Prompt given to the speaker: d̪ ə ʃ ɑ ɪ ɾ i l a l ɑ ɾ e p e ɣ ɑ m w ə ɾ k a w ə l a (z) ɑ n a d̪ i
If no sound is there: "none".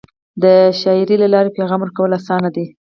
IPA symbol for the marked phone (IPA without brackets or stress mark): s